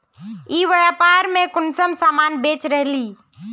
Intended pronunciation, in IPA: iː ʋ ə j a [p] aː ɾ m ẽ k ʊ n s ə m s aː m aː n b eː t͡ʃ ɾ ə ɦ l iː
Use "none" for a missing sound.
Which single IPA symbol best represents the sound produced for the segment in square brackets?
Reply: p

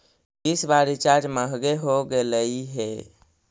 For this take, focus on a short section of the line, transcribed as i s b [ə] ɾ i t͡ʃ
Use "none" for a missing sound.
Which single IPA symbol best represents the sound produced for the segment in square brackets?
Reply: a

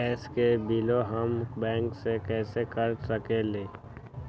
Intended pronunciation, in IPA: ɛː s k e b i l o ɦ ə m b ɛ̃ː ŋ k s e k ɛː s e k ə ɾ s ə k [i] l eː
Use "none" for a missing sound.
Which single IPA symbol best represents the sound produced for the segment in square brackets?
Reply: e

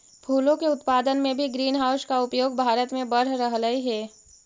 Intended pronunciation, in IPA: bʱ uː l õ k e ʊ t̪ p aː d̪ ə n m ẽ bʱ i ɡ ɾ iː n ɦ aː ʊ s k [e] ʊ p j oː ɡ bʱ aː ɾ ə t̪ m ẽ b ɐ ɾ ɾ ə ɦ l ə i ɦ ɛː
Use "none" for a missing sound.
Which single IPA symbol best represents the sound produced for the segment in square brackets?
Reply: a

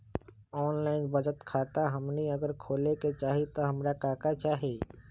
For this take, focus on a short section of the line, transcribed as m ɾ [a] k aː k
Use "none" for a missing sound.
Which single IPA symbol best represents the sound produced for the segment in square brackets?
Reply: a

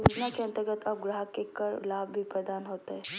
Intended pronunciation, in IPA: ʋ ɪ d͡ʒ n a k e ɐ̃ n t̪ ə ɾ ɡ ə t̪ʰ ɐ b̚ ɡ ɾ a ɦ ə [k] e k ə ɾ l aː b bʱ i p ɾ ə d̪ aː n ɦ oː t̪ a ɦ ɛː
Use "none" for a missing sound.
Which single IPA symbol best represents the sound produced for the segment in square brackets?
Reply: k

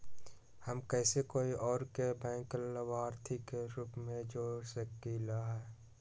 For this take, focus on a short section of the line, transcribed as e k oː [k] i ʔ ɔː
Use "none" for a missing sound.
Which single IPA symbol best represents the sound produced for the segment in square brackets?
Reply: none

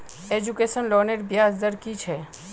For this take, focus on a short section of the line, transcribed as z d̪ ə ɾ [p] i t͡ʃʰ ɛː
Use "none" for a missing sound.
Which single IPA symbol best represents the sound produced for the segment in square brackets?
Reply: k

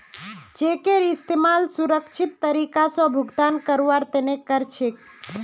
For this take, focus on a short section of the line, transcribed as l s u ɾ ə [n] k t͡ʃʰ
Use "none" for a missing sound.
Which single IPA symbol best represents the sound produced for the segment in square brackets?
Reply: none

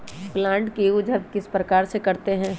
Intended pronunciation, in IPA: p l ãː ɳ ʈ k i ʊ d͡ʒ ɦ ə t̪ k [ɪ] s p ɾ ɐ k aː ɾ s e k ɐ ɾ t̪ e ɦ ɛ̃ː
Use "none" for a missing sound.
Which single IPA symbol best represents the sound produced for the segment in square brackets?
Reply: ɪ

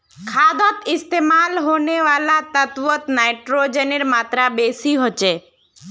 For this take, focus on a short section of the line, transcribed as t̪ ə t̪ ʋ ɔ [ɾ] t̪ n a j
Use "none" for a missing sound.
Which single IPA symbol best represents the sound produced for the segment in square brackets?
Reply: none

